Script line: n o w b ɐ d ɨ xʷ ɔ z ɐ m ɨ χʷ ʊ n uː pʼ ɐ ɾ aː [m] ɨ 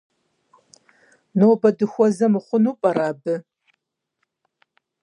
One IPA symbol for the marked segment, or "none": b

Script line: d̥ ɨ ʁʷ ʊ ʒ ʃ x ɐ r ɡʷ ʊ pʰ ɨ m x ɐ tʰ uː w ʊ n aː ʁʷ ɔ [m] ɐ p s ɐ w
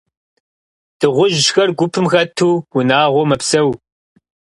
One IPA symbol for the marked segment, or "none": m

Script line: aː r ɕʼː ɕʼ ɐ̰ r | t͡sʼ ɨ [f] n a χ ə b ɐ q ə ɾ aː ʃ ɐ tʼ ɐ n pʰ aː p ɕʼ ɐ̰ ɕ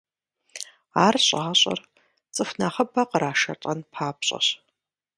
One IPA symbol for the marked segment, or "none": f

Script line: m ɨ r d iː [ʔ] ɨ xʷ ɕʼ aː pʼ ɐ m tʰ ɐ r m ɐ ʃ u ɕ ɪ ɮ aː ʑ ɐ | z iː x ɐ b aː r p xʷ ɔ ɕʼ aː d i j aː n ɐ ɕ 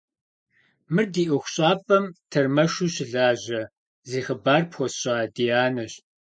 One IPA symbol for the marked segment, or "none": ʔ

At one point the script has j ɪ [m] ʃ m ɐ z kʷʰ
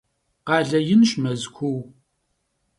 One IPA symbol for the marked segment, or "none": n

